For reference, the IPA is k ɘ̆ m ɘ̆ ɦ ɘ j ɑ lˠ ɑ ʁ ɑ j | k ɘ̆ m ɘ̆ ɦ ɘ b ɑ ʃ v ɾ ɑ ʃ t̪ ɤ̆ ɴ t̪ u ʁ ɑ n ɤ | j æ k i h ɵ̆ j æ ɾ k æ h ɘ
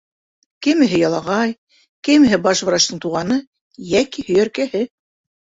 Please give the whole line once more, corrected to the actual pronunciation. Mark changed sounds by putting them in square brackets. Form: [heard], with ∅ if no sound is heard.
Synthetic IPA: k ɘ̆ m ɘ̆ ɦ ɘ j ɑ lˠ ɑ ʁ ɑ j | k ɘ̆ m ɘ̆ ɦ ɘ b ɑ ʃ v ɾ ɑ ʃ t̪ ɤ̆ ɴ t̪ u ʁ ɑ n ɤ | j æ k i h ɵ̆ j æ ɾ k æ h ɘ